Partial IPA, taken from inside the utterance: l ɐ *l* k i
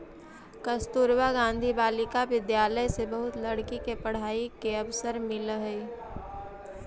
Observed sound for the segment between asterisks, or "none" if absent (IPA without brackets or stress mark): ɽ